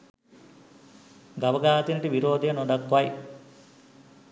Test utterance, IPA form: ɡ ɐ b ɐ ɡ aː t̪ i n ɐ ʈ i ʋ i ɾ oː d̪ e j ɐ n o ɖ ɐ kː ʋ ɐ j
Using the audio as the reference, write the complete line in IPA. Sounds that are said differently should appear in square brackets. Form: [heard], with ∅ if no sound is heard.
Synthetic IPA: ɡ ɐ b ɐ ɡ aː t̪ i n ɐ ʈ i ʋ i ɾ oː d̪ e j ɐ n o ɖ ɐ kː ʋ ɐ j